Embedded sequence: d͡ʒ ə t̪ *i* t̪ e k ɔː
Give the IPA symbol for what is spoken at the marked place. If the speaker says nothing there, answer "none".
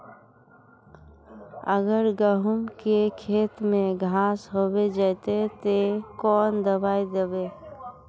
e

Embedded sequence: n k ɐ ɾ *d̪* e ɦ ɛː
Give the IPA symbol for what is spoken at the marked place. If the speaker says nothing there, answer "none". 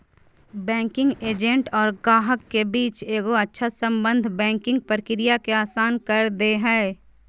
d̪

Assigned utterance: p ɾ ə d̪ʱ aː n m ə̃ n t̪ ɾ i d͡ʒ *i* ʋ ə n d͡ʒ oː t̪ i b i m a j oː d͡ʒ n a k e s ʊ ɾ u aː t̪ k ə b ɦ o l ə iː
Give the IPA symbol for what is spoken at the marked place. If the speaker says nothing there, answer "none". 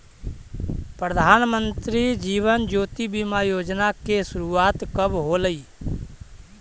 iː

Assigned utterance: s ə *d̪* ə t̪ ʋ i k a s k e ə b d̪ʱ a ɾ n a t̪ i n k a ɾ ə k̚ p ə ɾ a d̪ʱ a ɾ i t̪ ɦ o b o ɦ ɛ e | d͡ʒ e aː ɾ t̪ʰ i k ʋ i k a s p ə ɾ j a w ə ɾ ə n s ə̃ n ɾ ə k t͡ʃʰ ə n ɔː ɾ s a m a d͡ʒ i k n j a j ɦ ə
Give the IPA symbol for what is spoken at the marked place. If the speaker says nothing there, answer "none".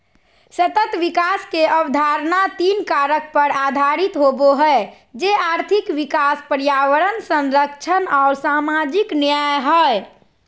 t̪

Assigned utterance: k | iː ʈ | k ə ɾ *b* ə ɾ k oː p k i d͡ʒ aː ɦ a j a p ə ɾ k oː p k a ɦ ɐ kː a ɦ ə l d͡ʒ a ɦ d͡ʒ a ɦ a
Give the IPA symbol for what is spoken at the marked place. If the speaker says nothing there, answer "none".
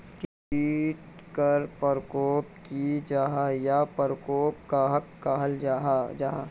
p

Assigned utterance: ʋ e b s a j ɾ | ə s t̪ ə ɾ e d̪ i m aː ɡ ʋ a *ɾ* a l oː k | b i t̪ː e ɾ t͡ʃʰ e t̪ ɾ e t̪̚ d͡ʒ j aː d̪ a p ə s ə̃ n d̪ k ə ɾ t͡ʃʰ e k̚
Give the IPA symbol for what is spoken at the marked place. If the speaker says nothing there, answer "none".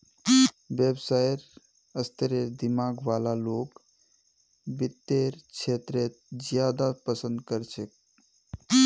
l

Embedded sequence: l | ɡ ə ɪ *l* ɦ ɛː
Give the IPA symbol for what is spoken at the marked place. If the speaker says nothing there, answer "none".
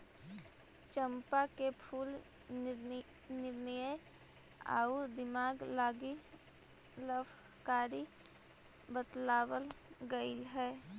l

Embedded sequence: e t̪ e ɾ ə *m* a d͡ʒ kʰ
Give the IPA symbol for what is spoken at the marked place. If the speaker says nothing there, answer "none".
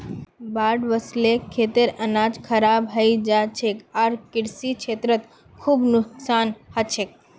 n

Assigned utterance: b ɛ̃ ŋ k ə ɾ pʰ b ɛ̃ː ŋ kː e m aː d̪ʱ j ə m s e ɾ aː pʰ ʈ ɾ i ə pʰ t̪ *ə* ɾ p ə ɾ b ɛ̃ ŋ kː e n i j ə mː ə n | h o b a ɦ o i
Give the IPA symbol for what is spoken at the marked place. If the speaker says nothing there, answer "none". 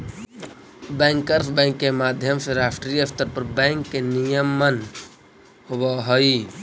ə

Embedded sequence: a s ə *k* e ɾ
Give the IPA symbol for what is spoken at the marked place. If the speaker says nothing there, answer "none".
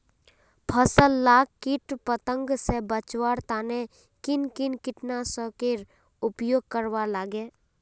k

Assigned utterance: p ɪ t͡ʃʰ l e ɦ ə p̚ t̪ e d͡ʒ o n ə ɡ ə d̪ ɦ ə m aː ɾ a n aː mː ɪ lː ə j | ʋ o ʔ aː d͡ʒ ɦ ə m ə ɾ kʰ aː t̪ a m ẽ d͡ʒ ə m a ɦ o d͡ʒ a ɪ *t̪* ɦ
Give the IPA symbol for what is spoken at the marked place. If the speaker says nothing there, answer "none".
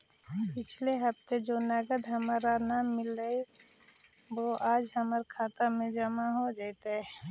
t̪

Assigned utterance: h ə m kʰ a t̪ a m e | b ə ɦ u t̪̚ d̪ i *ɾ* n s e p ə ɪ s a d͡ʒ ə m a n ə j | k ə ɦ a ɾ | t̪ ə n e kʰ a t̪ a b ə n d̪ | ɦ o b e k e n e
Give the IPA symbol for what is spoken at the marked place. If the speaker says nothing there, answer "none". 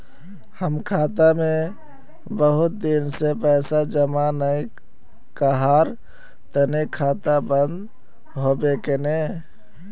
none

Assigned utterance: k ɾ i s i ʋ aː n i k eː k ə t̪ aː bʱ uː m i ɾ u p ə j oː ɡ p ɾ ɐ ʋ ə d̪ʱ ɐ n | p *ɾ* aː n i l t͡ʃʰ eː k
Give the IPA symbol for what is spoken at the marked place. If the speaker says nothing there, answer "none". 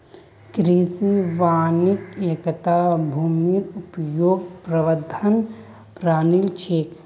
ɾ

